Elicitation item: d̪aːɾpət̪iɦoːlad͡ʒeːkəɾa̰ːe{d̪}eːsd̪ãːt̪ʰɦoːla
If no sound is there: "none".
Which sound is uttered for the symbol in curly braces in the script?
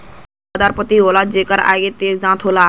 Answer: t̪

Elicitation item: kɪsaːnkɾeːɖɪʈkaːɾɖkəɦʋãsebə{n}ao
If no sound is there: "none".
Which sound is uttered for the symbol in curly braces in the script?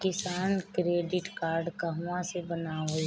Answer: n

